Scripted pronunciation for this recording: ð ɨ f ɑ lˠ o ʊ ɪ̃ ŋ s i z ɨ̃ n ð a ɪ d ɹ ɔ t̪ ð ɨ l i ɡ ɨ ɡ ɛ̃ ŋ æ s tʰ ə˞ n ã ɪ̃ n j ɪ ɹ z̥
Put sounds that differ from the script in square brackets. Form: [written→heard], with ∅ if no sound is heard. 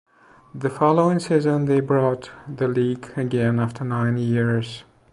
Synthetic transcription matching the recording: ð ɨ f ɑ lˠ o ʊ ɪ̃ ŋ s i z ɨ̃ n ð [a→e] ɪ [d→b] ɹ ɔ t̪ ð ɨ l i ɡ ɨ ɡ ɛ̃ [ŋ→n] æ [s→f] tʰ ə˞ n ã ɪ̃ n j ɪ ɹ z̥